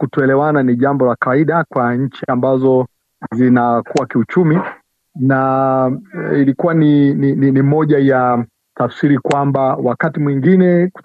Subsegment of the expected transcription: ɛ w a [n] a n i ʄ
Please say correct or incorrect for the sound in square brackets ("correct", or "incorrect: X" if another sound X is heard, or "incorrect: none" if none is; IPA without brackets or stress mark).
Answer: correct